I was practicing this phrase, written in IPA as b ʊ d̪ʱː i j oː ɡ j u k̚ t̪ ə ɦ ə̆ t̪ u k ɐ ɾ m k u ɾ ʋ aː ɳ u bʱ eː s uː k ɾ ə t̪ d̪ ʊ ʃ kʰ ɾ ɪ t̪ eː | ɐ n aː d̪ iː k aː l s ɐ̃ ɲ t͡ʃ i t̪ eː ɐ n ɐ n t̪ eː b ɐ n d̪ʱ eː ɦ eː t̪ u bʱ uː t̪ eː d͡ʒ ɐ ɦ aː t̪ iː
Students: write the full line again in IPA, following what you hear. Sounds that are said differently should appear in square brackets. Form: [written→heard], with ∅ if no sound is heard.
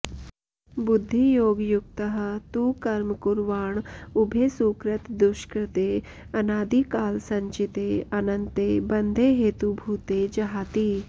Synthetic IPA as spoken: b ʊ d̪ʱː i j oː ɡ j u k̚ t̪ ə ɦ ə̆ t̪ u k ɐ ɾ m k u ɾ ʋ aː ɳ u bʱ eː s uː k ɾ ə t̪ d̪ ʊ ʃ [kʰ→k] ɾ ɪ t̪ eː | ɐ n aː d̪ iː k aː l s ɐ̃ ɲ t͡ʃ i t̪ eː ɐ n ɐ n t̪ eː b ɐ n d̪ʱ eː ɦ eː t̪ u bʱ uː t̪ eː d͡ʒ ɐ ɦ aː t̪ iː